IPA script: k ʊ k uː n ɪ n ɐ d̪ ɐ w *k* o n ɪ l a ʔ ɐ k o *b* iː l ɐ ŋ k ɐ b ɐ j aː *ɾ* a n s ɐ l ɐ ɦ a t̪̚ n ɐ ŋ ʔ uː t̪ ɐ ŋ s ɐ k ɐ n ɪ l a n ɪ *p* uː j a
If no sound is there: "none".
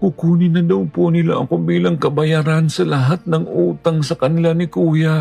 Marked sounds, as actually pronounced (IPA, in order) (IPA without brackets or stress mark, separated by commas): p, b, ɾ, k